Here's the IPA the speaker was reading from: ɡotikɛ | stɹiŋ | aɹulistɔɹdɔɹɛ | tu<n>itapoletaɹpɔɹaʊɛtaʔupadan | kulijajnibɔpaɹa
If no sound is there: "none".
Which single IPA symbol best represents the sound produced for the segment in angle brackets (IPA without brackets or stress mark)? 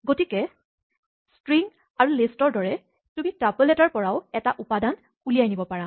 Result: m